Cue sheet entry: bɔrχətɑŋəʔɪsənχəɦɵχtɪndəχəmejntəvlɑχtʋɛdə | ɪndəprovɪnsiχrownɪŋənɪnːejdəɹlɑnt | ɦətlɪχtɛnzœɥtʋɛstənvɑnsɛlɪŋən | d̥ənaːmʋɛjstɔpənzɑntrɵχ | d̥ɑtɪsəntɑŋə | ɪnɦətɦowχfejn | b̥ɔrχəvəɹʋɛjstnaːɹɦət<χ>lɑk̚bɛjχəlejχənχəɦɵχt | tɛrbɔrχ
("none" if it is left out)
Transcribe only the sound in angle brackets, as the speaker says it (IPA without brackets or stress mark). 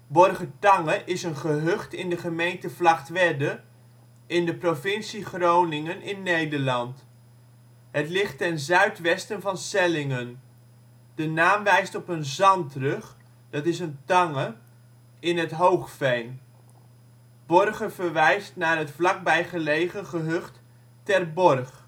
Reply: f